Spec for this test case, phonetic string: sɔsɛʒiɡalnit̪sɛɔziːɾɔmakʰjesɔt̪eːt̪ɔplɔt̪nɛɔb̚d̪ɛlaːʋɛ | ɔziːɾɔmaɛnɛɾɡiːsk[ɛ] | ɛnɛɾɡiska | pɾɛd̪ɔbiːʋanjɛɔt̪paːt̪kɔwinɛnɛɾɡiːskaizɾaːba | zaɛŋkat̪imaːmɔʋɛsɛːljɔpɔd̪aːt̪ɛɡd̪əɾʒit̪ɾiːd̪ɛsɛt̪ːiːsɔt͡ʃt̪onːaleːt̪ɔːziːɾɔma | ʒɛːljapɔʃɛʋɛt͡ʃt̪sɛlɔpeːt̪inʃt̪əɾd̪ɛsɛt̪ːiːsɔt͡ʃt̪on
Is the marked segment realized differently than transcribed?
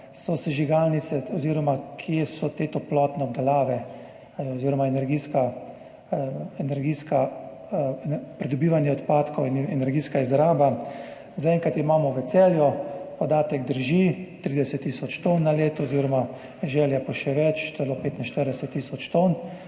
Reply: yes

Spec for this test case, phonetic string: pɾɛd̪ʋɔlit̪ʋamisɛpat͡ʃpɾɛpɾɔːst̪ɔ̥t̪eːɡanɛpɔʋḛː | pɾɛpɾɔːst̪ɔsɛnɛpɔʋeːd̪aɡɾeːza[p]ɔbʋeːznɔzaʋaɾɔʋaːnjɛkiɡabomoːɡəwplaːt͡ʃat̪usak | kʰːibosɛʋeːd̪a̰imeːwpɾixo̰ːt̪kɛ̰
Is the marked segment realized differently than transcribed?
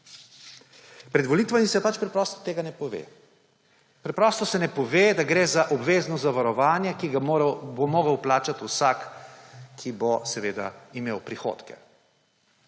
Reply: yes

